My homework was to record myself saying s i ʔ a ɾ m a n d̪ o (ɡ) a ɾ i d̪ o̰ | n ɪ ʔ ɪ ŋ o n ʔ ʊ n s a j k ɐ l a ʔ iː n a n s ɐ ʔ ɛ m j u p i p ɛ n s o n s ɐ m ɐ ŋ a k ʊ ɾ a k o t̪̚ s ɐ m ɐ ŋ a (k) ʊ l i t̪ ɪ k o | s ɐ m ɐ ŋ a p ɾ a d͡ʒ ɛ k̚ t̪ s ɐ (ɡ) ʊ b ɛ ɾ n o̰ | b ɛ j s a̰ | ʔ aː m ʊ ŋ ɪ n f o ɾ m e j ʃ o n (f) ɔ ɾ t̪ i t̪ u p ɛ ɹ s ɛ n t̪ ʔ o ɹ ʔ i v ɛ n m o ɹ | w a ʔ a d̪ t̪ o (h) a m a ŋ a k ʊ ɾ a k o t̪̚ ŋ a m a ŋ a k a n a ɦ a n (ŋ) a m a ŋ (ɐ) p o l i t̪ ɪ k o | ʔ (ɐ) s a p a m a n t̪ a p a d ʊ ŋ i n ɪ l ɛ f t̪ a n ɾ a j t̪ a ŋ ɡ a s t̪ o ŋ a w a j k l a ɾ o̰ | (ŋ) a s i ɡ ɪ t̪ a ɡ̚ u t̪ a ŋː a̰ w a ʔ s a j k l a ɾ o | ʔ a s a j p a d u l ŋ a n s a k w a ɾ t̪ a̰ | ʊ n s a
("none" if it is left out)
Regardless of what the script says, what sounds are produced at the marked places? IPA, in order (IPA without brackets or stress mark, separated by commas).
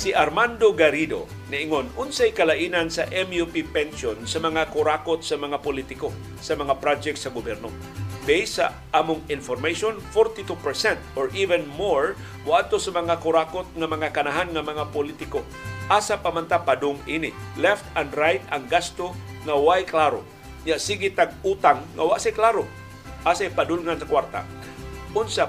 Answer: ɡ, p, ɡ, f, s, ŋ, a, a, ɲ